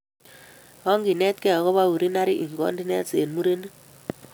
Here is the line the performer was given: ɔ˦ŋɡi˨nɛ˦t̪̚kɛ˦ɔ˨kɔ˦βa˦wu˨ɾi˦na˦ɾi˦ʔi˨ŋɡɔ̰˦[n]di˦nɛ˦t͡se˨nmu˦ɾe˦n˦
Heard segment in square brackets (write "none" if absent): n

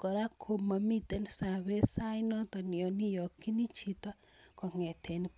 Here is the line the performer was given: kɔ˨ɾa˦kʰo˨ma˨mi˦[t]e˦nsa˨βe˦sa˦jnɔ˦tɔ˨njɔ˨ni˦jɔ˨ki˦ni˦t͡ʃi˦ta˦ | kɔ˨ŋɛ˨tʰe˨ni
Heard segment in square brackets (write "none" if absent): t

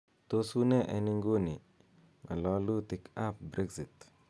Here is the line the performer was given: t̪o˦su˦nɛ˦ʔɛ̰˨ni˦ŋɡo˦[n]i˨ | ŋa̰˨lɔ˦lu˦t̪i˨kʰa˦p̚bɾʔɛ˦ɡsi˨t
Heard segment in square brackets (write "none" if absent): n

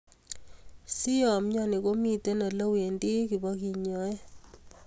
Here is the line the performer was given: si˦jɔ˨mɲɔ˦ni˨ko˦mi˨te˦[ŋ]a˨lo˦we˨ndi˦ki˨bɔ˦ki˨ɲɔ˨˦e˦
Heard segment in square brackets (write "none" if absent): n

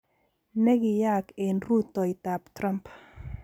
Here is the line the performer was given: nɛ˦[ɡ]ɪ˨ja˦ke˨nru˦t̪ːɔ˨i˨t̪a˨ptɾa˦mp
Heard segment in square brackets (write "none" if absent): ɡ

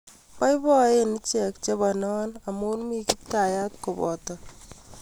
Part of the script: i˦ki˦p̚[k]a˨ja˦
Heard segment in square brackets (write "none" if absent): t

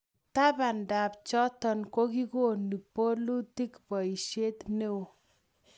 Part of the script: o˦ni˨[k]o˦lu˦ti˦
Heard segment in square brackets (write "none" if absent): p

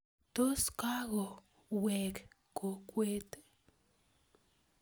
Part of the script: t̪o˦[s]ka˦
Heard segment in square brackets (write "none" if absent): s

